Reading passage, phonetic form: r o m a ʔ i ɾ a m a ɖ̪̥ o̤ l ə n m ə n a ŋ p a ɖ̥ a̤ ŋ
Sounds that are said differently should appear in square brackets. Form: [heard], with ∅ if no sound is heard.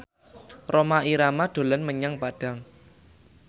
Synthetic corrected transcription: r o m a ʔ i ɾ a m a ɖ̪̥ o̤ l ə n m ə [ɲ] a ŋ p a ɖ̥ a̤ ŋ